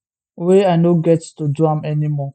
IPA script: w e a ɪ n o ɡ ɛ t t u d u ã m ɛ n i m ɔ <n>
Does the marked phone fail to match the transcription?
yes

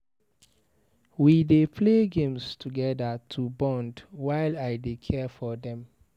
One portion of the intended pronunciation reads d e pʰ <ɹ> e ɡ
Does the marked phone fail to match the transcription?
yes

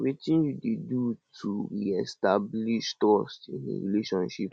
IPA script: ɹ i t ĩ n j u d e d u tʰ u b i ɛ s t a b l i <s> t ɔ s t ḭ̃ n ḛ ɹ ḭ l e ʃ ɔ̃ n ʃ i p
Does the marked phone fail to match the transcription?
yes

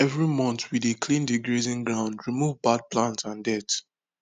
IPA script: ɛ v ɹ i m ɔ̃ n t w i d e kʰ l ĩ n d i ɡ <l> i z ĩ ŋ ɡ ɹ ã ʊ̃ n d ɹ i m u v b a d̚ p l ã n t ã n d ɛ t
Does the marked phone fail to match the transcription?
yes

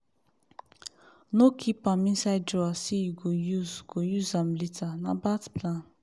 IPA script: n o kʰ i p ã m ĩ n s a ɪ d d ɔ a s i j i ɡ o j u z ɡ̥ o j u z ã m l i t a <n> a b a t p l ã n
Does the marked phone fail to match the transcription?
no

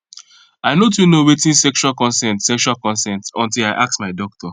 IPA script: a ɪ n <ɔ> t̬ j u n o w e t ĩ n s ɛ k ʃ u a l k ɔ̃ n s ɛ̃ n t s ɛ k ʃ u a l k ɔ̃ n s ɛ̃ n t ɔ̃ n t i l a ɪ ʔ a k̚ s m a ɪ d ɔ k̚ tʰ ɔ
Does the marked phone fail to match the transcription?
yes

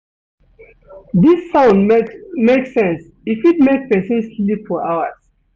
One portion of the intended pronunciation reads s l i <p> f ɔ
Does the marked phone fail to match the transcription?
no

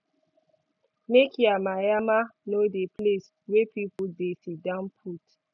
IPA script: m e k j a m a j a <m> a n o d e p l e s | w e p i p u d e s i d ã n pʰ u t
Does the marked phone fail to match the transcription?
no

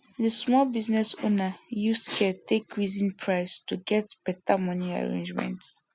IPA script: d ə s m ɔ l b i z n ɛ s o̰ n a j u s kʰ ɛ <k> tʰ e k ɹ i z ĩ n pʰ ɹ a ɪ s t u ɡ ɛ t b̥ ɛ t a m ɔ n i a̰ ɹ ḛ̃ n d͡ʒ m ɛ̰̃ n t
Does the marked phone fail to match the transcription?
yes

